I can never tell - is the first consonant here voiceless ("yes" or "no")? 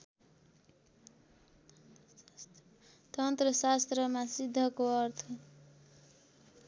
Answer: yes